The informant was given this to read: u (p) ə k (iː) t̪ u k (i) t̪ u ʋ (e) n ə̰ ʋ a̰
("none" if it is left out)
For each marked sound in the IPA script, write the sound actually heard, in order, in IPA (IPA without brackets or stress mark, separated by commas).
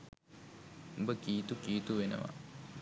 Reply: b, iː, iː, e